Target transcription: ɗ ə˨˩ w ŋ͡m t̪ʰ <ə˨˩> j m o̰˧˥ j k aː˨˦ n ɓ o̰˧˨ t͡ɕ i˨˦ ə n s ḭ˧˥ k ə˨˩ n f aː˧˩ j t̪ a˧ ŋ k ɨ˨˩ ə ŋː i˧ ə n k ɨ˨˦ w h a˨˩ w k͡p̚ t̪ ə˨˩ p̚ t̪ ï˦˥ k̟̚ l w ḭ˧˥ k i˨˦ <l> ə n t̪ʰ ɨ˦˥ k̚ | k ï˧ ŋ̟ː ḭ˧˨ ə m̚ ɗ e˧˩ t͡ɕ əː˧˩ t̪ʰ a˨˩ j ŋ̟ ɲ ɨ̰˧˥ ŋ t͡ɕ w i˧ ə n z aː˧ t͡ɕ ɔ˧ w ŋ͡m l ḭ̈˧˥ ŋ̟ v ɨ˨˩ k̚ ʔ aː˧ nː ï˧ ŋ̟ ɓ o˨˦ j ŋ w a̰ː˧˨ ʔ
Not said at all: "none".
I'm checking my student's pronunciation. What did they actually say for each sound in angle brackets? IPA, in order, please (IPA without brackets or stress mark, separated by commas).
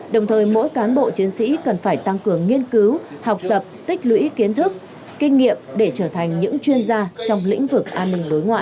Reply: əː˨˩, none